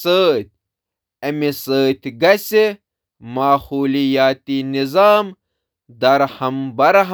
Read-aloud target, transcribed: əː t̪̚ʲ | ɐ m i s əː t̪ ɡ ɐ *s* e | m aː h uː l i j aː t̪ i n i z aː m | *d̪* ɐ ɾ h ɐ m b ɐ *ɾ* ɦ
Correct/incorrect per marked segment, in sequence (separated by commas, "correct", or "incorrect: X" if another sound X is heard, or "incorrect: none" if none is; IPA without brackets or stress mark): correct, correct, correct